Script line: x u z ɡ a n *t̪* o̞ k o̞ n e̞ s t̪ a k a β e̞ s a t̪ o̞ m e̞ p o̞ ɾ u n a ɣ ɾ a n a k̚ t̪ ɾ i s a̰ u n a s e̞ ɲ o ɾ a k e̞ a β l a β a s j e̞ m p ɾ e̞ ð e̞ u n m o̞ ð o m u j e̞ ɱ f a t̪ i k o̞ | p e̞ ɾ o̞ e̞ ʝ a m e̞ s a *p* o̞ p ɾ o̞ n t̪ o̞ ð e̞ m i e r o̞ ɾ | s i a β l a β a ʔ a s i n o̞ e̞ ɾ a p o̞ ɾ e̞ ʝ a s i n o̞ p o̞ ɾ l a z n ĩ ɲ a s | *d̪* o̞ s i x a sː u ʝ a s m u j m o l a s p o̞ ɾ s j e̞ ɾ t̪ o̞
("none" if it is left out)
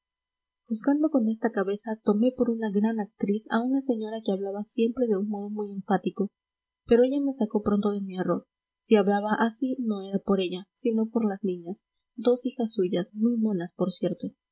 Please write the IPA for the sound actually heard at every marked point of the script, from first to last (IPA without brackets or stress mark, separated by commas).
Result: d̪, k, d̪